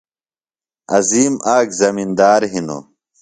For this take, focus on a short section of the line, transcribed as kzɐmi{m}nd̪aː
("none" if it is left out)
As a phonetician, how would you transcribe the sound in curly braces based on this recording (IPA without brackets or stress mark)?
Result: none